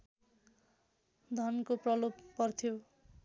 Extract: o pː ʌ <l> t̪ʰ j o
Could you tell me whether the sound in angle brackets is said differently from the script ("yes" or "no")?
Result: yes